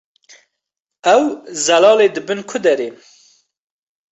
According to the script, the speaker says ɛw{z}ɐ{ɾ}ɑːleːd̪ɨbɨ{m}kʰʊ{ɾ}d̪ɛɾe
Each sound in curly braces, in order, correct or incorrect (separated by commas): correct, incorrect, incorrect, incorrect